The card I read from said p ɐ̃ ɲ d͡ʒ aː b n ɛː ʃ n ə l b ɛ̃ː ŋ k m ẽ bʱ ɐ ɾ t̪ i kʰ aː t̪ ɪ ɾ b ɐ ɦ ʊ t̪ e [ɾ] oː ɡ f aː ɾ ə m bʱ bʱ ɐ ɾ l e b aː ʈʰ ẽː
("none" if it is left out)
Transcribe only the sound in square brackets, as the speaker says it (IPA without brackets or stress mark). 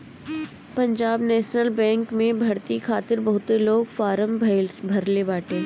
l